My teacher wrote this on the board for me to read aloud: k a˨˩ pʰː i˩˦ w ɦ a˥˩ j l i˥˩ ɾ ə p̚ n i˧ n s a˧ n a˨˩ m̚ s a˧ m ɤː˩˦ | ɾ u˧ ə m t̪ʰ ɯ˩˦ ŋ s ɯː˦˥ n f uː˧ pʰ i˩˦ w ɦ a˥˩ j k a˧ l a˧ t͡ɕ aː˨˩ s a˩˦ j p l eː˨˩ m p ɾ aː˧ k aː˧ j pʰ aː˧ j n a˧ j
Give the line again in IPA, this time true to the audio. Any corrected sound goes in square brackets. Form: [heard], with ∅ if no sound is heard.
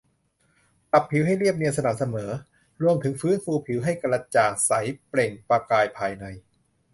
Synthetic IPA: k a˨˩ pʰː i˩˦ w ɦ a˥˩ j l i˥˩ [∅] ə p̚ n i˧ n s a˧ n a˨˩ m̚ s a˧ m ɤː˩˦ | ɾ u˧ ə m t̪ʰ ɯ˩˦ ŋ [f] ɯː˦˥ n f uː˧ pʰ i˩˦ w ɦ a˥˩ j k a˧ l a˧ t͡ɕ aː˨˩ s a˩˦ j p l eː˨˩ [ŋ] p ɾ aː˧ k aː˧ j pʰ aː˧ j n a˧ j